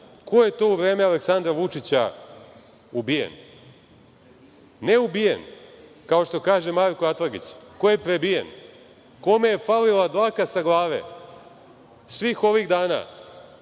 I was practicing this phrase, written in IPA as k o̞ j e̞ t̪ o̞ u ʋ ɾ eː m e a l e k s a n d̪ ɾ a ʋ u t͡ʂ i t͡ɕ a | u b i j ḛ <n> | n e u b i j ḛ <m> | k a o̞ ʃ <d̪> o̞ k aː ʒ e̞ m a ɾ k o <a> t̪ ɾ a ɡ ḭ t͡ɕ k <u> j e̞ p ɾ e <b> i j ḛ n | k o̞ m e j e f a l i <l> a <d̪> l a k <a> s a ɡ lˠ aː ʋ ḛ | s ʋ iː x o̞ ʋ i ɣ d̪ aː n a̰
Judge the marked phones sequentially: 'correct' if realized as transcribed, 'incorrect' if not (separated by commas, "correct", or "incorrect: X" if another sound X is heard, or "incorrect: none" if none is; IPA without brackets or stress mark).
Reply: correct, incorrect: n, incorrect: t̪, correct, incorrect: o, correct, correct, correct, correct